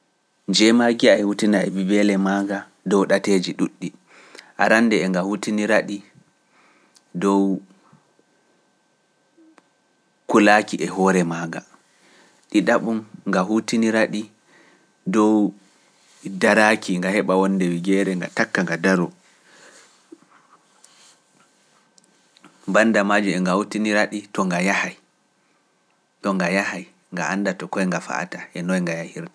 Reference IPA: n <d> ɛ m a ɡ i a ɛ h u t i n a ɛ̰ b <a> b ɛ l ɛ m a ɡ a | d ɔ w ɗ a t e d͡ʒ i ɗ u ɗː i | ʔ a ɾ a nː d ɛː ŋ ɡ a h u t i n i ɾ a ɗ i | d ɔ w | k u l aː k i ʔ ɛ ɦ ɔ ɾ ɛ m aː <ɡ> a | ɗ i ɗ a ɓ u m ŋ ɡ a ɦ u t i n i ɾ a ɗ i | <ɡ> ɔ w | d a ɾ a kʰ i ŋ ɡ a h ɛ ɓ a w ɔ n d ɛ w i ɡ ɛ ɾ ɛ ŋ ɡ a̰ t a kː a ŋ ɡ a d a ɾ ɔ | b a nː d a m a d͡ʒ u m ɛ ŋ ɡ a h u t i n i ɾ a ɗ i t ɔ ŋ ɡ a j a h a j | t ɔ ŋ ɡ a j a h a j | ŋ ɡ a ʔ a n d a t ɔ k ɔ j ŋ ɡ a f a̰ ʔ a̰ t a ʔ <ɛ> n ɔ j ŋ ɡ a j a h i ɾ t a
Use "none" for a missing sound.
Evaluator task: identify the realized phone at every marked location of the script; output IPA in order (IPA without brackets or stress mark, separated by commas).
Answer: d͡ʒ, i, ɡ, d, ɛ